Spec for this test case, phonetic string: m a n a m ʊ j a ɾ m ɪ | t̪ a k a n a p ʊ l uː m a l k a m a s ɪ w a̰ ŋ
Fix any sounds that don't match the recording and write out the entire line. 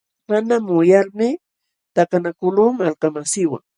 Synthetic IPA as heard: m a n a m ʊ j a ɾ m ɪ | t̪ a k a n a k ʊ l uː m a l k a m a s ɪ w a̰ ŋ